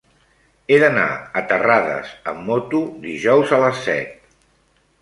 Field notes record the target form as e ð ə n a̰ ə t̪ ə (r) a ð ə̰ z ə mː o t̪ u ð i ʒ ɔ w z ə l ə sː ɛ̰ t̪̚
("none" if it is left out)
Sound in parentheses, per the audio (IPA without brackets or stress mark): r